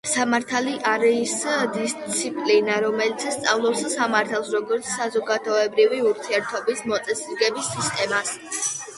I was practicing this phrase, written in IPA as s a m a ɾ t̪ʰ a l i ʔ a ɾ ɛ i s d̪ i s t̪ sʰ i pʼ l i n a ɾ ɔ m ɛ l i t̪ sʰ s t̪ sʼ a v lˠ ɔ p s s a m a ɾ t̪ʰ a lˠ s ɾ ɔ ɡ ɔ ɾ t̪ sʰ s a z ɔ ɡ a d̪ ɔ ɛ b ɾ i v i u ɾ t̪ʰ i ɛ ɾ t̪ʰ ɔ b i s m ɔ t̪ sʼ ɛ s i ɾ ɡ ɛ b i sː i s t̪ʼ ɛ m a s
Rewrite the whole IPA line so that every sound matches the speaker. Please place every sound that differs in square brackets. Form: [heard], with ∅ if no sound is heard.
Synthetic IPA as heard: s a m a ɾ t̪ʰ a l i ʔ a ɾ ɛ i s d̪ i s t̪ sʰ i pʼ l i n a ɾ ɔ m ɛ l i t̪ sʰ s t̪ sʼ a v lˠ ɔ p s s a m a ɾ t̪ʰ a lˠ s ɾ ɔ ɡ ɔ ɾ t̪ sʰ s a z ɔ ɡ a d̪ ɔ ɛ b ɾ i v i u ɾ t̪ʰ i ɛ ɾ t̪ʰ ɔ b i s m ɔ t̪ sʼ ɛ s i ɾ ɡ ɛ b i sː i s t̪ʼ ɛ m a s